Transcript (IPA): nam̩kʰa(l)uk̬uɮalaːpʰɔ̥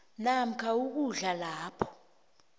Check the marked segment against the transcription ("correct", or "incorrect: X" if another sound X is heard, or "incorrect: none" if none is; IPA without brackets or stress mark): incorrect: none